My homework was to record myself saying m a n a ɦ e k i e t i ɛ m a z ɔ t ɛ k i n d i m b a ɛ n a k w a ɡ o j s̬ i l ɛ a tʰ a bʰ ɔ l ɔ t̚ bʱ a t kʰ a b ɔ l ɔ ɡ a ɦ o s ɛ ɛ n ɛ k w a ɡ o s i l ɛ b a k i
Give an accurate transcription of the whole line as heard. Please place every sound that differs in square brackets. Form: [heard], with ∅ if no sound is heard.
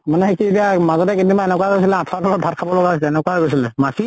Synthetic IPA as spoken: m a n [ɛ] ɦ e k i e t i [a] m a z ɔ t ɛ k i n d i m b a ɛ n [ɛ] k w a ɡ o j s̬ i l ɛ a tʰ a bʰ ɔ l ɔ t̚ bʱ a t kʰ a b ɔ l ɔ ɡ a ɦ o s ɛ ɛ n ɛ k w a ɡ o s i l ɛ [m] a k i